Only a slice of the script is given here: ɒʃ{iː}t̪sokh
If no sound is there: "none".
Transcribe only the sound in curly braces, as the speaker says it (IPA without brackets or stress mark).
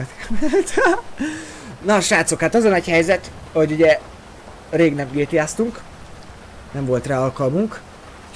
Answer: aː